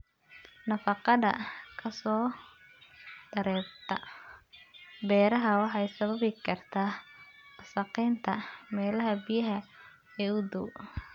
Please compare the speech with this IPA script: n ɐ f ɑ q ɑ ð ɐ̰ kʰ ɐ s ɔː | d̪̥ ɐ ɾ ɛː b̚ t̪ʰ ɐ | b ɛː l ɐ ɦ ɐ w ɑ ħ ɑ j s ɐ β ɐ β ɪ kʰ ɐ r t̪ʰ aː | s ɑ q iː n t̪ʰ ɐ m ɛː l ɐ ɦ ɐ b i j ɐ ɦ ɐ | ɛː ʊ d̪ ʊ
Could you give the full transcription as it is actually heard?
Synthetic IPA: n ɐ f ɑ q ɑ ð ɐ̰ kʰ ɐ s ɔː | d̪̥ ɐ ɾ ɛː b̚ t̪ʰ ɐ | b ɛː ɾ ɐ ɦ ɐ w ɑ ħ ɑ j s ɐ β ɐ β ɪ kʰ ɐ r t̪ʰ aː | s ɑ q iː n t̪ʰ ɐ m ɛː l ɐ ɦ ɐ b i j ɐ ɦ ɐ | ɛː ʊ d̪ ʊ